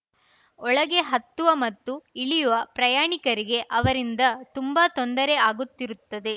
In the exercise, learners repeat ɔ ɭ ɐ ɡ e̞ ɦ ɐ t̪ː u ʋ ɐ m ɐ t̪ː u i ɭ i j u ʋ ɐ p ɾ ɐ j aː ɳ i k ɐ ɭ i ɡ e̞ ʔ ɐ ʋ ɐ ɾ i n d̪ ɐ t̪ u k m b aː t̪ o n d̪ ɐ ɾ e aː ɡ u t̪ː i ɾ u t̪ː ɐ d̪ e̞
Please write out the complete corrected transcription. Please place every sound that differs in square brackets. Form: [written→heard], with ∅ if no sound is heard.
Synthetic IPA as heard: ɔ ɭ ɐ ɡ e̞ ɦ ɐ t̪ː u ʋ ɐ m ɐ t̪ː u i ɭ i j u ʋ ɐ p ɾ ɐ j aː ɳ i k ɐ [ɭ→ɾ] i ɡ e̞ ʔ ɐ ʋ ɐ ɾ i n d̪ ɐ t̪ u [k→∅] m b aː t̪ o n d̪ ɐ ɾ e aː ɡ u t̪ː i ɾ u t̪ː ɐ d̪ e̞